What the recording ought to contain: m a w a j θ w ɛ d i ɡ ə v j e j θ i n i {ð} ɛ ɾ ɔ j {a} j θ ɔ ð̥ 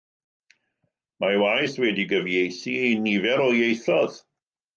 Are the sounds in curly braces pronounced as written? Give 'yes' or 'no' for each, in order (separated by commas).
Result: no, no